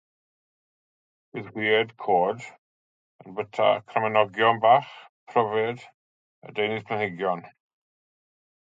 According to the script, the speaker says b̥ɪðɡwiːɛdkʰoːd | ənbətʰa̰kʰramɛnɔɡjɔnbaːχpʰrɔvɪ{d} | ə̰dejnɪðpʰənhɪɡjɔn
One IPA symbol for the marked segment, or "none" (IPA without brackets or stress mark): d